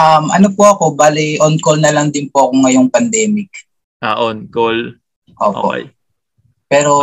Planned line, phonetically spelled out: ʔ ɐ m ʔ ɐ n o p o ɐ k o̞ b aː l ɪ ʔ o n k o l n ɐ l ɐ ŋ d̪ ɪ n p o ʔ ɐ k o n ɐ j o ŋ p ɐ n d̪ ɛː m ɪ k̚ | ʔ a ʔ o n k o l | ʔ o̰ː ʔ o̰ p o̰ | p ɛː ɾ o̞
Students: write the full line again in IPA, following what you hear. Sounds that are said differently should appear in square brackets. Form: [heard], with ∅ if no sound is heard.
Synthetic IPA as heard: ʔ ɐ m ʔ ɐ n o p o ɐ k o̞ b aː l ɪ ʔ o n k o l n ɐ l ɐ ŋ d̪ ɪ n p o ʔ ɐ k o [ŋ] ɐ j o ŋ p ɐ n d̪ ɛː m ɪ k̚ | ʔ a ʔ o n k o l | ʔ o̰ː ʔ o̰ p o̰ | p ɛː ɾ o̞